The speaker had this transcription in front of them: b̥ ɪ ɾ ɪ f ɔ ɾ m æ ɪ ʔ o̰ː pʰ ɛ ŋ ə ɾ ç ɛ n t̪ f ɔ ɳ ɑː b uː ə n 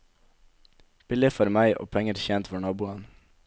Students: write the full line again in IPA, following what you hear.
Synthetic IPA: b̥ ɪ l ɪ f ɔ ɾ m æ ɪ ʔ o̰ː pʰ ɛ ŋ ə ɾ ç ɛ n t̪ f ɔ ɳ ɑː b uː ɑ n